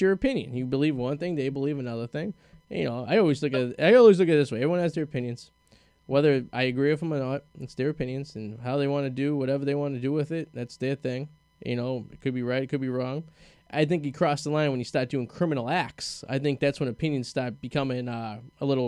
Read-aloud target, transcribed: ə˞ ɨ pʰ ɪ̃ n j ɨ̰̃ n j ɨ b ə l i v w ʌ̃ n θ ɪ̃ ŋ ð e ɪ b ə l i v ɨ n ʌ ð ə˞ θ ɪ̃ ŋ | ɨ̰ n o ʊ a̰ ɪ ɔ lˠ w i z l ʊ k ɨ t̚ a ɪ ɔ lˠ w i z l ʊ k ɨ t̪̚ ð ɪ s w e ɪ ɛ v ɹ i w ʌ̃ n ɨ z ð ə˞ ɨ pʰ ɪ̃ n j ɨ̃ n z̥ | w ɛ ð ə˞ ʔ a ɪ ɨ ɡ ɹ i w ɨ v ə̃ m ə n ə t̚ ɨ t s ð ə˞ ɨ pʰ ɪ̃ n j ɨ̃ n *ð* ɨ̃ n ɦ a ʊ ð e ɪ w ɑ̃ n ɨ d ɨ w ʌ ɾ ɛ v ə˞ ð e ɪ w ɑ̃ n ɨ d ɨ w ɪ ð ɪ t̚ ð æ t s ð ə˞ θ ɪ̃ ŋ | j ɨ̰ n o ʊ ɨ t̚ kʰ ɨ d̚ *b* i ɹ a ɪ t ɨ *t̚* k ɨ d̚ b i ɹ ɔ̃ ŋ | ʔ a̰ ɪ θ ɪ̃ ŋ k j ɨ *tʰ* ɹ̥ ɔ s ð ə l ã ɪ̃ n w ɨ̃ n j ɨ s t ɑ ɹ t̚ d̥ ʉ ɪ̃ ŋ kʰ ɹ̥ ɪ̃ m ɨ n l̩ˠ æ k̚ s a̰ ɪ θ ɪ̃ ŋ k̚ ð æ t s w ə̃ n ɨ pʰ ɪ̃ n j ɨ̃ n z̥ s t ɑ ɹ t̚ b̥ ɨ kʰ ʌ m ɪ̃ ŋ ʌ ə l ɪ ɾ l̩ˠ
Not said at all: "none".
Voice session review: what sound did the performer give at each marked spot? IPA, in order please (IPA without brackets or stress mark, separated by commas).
z, b, t̚, kʰ